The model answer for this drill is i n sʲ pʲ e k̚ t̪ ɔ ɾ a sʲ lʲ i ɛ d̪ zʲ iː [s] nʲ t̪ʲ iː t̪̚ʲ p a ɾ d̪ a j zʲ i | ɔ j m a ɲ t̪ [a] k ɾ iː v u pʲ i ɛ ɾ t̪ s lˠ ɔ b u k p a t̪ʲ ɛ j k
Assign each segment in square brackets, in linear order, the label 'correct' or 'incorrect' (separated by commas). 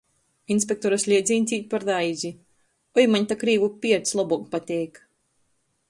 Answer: incorrect, correct